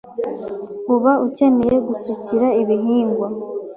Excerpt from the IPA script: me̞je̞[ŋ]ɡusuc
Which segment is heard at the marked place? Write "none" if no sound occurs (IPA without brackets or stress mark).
none